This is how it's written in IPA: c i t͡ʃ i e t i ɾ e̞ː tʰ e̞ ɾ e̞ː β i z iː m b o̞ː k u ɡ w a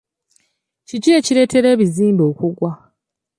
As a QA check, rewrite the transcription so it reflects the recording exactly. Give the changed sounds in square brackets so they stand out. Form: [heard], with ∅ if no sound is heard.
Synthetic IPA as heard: c i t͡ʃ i e [c] i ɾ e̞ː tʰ e̞ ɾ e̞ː β i z iː m b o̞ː k u ɡ w a